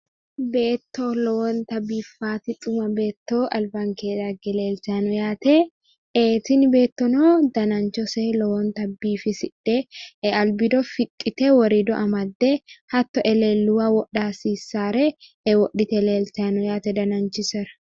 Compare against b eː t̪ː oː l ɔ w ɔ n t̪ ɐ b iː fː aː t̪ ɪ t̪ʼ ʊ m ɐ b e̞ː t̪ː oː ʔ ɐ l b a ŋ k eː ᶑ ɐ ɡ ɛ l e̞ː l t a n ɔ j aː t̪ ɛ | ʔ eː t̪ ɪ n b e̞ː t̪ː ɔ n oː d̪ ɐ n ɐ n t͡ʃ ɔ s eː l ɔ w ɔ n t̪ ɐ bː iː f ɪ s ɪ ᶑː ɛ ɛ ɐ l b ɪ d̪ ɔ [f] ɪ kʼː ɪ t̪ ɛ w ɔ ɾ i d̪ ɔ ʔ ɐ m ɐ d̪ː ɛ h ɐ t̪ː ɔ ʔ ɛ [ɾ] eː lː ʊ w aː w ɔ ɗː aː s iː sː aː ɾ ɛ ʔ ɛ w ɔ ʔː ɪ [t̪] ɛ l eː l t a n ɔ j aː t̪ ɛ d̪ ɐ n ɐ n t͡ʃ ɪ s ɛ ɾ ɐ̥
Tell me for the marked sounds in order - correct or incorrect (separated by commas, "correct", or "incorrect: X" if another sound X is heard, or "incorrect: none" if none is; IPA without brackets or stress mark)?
correct, incorrect: l, correct